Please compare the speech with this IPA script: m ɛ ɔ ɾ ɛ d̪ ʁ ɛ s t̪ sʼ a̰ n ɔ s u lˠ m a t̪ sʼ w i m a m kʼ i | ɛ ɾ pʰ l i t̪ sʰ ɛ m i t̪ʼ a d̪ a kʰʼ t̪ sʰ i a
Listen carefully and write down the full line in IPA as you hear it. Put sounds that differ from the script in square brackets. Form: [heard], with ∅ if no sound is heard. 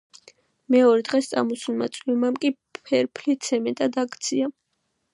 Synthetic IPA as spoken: m ɛ ɔ ɾ ɛ d̪ ʁ ɛ s t̪ sʼ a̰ [m] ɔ s u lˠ m a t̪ sʼ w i m a m kʼ i | ɛ ɾ pʰ l i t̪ sʰ ɛ m [ɛ] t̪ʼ a d̪ a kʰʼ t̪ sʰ i a